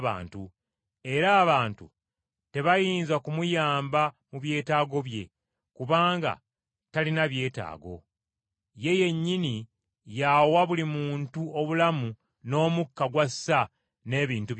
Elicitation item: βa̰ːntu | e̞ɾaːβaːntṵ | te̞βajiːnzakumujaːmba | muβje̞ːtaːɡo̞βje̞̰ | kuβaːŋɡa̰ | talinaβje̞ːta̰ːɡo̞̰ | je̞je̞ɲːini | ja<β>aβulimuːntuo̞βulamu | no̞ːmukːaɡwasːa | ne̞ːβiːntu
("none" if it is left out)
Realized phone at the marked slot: w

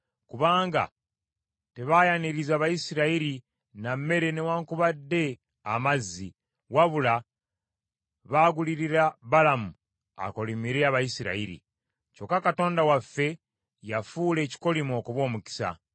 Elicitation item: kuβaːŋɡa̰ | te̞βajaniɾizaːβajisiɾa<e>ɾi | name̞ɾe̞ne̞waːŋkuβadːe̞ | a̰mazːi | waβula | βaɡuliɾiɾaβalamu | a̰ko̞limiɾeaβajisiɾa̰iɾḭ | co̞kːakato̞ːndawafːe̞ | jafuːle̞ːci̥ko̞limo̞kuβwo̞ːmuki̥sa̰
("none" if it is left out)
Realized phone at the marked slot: i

